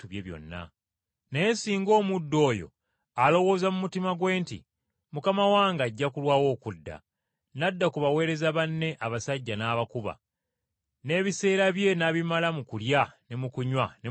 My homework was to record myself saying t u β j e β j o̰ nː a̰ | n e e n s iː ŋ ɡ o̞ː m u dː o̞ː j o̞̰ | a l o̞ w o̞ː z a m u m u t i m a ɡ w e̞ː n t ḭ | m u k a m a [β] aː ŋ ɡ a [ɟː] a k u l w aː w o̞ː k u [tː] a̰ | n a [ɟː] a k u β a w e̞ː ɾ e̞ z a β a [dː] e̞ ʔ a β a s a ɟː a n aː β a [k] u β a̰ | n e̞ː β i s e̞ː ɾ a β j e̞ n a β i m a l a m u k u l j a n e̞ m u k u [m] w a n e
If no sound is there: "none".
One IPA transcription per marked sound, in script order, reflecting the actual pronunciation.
w, ɟː, dː, dː, nː, k, ɲ

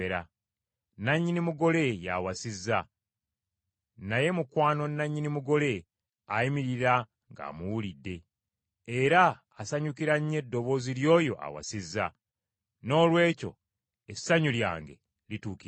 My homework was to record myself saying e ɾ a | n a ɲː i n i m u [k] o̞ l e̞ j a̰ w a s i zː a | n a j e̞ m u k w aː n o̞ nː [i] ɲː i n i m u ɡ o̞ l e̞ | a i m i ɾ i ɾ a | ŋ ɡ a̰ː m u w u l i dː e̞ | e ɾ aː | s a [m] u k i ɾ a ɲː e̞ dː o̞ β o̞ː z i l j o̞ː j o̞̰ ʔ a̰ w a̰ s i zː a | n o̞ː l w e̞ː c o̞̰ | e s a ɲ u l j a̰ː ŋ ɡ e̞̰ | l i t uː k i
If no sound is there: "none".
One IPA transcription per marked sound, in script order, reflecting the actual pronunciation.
ɡ, a, ɲ

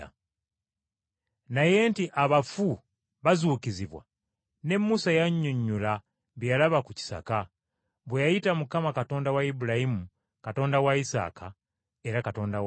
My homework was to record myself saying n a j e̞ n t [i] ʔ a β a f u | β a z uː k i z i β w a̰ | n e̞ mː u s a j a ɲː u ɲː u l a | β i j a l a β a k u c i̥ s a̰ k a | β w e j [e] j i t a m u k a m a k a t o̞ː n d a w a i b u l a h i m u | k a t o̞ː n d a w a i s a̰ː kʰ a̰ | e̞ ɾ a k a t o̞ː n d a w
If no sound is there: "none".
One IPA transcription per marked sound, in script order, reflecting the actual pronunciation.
i, a

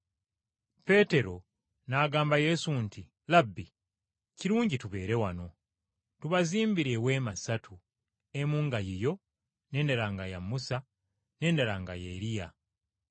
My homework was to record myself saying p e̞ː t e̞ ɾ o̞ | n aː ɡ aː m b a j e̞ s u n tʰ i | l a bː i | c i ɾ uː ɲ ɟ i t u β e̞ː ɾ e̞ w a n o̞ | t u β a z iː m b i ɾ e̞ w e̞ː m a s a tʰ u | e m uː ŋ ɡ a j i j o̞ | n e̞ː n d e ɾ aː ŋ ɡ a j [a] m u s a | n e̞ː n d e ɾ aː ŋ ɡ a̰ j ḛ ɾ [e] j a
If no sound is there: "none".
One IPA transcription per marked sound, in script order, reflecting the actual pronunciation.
a, i

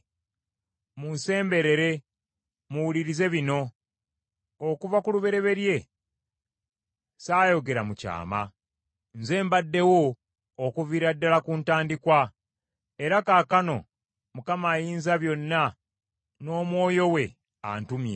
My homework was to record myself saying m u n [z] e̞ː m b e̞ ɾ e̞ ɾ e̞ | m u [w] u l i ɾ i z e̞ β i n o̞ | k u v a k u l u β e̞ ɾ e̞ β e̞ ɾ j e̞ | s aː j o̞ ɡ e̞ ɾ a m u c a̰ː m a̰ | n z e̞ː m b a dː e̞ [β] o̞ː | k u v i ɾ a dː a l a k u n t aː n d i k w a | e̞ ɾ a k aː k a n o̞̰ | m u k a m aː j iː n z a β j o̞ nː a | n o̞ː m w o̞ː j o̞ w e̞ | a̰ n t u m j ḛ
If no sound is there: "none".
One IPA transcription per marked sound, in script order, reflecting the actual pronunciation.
s, w, w

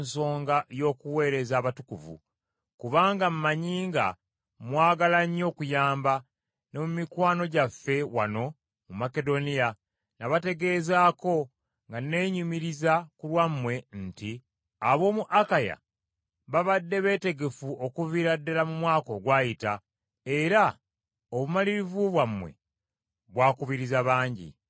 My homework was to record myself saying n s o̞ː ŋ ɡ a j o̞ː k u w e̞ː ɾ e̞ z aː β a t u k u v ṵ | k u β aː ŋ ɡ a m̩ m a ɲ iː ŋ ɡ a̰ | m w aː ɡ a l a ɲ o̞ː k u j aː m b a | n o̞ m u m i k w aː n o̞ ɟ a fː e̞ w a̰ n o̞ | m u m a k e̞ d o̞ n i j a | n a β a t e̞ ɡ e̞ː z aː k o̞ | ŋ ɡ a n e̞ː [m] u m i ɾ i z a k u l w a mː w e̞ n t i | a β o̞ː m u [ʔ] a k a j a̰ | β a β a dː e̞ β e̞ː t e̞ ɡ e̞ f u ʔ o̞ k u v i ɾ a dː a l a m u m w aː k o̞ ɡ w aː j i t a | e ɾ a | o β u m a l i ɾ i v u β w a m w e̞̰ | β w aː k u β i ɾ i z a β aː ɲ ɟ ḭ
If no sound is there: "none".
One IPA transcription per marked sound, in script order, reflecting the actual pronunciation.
ɲ, ʔ

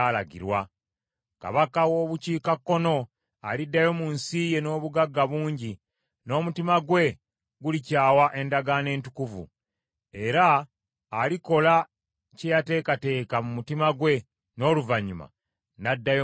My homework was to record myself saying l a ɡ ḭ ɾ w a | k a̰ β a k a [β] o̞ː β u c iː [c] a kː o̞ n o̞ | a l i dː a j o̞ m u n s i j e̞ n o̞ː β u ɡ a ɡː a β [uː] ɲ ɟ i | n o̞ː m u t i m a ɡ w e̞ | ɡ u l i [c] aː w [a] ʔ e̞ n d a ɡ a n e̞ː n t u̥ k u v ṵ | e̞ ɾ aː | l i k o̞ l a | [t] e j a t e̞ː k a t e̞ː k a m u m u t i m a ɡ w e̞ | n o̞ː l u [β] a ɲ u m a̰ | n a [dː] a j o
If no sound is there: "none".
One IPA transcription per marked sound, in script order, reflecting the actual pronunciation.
w, k, uː, c, a, c, v, dː

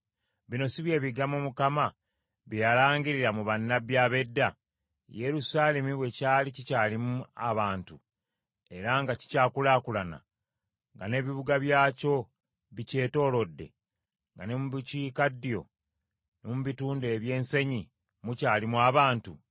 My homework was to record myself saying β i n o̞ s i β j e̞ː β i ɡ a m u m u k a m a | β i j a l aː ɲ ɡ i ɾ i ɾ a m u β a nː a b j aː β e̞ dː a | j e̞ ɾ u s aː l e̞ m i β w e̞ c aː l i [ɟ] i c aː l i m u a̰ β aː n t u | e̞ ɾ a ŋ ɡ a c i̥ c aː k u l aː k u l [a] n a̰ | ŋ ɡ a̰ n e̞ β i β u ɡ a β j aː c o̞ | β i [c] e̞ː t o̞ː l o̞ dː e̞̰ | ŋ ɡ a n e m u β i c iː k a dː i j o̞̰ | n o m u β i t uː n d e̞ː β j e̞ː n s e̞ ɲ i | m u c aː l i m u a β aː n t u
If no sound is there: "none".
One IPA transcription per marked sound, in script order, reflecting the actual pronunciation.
c, a, c

